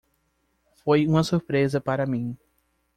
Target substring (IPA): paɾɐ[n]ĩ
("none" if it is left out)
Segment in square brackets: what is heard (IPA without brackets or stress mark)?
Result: m